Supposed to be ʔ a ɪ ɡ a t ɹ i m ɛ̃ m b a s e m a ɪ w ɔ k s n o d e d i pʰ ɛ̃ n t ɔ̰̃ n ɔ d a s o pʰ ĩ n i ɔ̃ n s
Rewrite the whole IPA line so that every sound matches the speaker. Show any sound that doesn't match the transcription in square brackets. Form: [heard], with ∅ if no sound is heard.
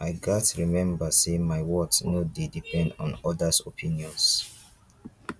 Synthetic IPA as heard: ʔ a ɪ ɡ a t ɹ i m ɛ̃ m b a s e m a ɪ w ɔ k s n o d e d i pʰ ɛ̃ n [d] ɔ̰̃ n ɔ d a s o pʰ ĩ n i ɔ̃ n s